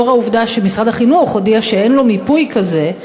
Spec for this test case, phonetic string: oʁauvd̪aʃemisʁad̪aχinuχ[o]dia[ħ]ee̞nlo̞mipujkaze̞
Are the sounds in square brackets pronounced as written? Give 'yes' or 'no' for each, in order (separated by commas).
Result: yes, no